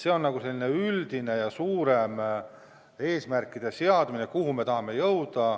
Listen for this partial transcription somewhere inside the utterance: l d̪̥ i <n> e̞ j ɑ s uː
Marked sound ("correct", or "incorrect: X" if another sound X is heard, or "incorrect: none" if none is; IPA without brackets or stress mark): correct